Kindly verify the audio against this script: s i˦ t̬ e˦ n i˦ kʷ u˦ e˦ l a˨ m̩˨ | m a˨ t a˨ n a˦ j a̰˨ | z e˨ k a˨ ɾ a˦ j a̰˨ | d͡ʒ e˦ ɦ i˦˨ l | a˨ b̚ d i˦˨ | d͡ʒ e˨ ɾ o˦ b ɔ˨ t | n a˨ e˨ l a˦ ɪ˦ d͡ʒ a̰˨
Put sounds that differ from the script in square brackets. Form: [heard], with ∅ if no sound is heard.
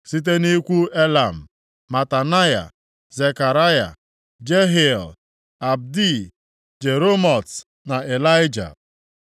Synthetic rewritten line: s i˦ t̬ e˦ n i˦ kʷ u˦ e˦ l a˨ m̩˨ | m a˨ t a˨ n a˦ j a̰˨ | z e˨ k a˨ ɾ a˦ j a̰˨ | d͡ʒ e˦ ɦ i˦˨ l | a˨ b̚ d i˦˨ | d͡ʒ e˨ ɾ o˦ [m] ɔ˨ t | n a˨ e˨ l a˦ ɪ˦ d͡ʒ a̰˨